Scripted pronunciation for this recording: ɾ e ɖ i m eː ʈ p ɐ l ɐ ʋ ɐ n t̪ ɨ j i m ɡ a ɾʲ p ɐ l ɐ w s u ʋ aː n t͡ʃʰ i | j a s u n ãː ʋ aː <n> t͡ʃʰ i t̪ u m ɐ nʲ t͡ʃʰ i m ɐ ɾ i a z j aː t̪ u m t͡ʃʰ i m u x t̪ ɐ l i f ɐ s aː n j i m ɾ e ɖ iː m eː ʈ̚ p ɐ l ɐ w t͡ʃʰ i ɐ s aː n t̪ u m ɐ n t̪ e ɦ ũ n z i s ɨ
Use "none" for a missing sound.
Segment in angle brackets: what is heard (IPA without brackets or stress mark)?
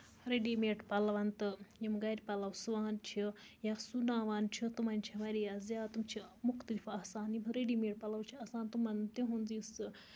n